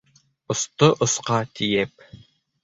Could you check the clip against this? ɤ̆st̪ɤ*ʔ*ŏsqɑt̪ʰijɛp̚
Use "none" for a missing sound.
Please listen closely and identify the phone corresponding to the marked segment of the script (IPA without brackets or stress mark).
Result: ʔ